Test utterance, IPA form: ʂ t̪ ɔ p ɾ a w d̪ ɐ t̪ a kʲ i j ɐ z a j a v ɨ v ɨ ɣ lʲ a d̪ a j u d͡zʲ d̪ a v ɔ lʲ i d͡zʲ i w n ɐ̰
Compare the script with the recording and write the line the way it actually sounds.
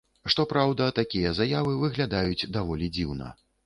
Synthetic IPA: ʂ t̪ ɔ p ɾ a w d̪ ɐ t̪ a kʲ i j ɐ z a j a v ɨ v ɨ ɣ lʲ a d̪ a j u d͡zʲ d̪ a v ɔ lʲ i d͡zʲ i w n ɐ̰